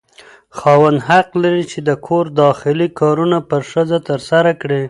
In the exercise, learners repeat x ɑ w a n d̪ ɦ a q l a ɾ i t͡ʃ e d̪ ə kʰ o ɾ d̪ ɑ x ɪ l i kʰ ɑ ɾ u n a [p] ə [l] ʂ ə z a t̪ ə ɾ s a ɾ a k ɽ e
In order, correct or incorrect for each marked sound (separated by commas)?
correct, incorrect